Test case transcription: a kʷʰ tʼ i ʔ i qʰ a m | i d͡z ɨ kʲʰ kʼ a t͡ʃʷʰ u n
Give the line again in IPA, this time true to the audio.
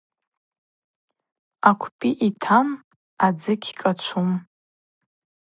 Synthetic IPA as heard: a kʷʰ pʼ i ʔ i tʰ a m | a d͡z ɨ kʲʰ kʼ a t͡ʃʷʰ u m